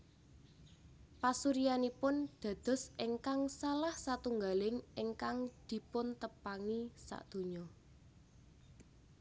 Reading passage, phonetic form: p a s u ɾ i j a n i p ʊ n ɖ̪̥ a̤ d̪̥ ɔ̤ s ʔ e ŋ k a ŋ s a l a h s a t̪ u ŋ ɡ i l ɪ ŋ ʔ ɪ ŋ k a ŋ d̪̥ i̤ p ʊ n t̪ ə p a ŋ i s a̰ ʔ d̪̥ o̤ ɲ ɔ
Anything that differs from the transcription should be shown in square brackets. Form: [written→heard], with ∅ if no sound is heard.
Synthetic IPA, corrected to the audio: p a s u ɾ i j a n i p ʊ n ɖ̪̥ a̤ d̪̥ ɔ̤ s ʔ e ŋ k a ŋ s a l a h s a t̪ u ŋ ɡ [i→a] l ɪ ŋ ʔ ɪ ŋ k a ŋ d̪̥ i̤ p ʊ n t̪ ə p a ŋ i s a̰ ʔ d̪̥ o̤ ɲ ɔ

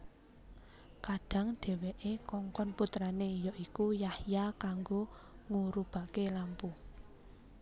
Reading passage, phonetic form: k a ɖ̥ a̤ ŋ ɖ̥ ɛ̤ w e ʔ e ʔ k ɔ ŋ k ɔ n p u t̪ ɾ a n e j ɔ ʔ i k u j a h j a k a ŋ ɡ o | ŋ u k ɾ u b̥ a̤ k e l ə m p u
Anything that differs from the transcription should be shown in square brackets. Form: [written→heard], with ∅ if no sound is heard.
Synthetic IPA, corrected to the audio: k a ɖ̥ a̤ ŋ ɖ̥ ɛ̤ w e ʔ e [ʔ→∅] k ɔ ŋ k ɔ n p u t̪ ɾ a n e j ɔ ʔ i k u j a h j a k a ŋ ɡ o | ŋ u [k→∅] ɾ u b̥ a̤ k e l [ə→a] m p u

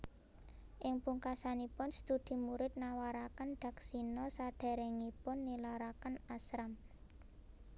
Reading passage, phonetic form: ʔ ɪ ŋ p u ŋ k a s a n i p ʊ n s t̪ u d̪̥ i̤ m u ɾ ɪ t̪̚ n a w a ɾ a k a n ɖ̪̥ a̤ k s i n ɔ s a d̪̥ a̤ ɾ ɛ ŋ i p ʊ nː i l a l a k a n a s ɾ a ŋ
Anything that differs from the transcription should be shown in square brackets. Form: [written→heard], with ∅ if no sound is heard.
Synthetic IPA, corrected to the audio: ʔ ɪ ŋ p u ŋ k a s a n i p ʊ n s t̪ u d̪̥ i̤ m u ɾ ɪ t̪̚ n a w a ɾ a k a n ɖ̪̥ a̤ k s i n ɔ s a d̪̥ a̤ ɾ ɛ ŋ i p ʊ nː i l a [l→ɾ] a k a n a s ɾ a [ŋ→m]

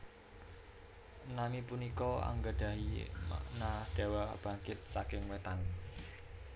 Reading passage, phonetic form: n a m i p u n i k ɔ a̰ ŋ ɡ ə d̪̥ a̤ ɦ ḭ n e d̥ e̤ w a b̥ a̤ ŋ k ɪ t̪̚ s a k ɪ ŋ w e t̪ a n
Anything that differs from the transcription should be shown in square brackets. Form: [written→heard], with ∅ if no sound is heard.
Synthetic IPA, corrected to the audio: n a m i p u n i k ɔ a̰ ŋ ɡ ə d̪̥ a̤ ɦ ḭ n [e→a] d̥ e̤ w a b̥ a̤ ŋ k ɪ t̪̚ s a k ɪ ŋ w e t̪ a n

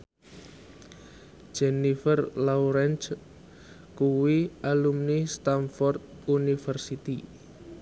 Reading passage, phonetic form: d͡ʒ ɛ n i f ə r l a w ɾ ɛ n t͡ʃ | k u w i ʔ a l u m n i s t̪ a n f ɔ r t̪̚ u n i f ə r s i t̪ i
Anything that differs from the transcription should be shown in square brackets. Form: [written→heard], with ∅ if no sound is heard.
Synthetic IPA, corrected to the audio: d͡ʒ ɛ n i f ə r l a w ɾ ɛ n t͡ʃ | k u w i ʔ a l u m n i s t̪ a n f ɔ r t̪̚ u n i f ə r s i t̪ i

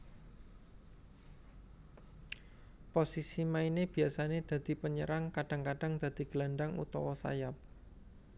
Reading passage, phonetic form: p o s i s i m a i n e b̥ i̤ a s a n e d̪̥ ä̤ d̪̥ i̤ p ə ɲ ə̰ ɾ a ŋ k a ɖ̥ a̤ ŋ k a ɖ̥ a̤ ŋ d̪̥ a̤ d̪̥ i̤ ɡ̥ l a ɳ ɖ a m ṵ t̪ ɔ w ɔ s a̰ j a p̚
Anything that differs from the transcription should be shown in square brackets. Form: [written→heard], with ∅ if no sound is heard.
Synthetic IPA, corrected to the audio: p o s i s i m a i n e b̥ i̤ a s a n e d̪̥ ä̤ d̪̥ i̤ p ə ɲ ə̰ ɾ a ŋ k a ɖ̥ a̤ ŋ k a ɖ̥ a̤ ŋ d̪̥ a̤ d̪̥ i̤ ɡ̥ l a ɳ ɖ a [m→ŋ] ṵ t̪ ɔ w ɔ s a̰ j a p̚

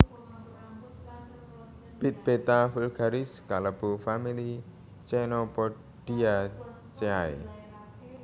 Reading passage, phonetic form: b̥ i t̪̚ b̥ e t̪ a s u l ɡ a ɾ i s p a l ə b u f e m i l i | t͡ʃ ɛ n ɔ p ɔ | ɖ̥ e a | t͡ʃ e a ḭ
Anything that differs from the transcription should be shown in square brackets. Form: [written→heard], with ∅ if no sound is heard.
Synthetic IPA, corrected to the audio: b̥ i t̪̚ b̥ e t̪ a [s→f] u l ɡ a ɾ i s [p→k] a l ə b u f [e→a] m i l i | t͡ʃ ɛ n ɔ p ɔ | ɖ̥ [e→i] a | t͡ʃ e a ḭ

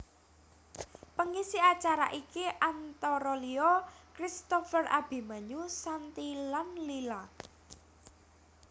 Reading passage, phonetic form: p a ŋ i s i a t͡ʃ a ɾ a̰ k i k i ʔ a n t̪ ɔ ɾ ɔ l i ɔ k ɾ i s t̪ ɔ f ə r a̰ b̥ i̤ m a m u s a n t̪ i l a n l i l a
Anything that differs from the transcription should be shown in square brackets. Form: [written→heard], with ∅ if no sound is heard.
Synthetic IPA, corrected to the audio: p [a→ə] ŋ i s i a t͡ʃ a ɾ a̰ [k→ʔ] i k i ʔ a n t̪ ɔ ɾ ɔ l i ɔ k ɾ i s t̪ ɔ f ə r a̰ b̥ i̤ m a [m→ɲ] u s a n t̪ i l a n l i l a

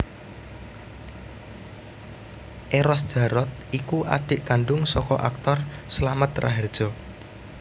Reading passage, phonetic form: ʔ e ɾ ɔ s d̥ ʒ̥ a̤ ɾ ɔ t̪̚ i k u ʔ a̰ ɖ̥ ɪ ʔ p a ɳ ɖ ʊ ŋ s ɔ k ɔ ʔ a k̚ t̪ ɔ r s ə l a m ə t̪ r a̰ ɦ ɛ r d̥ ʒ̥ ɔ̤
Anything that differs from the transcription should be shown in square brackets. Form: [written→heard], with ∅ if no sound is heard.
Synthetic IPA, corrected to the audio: ʔ e ɾ ɔ s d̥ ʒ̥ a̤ ɾ ɔ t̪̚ i k u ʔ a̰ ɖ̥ ɪ ʔ [p→k] a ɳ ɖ ʊ ŋ s ɔ k ɔ ʔ a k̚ t̪ ɔ r s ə l a m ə t̪ r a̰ ɦ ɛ r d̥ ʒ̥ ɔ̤

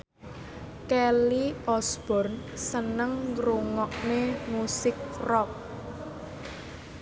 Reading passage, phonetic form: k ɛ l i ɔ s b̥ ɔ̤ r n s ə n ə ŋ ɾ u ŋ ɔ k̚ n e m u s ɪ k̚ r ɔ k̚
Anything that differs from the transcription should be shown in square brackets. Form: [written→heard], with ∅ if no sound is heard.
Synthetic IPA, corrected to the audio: k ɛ l i ɔ s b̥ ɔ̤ r n s ə n ə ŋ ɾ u ŋ ɔ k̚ n e m u s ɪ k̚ r ɔ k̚

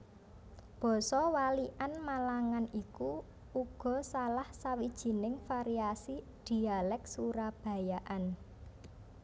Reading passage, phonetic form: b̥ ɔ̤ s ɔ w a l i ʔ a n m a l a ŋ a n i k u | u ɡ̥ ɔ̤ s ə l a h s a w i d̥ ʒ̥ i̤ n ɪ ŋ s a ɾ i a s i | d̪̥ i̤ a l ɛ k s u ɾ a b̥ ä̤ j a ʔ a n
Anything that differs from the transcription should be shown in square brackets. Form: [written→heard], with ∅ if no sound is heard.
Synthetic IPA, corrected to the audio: b̥ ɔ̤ s ɔ w a l i ʔ a n m a l a ŋ a n i k u | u ɡ̥ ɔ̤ s [ə→a] l a h s a w i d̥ ʒ̥ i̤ n ɪ ŋ [s→f] a ɾ i a s i | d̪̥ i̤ a l ɛ k s u ɾ a b̥ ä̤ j a ʔ a n

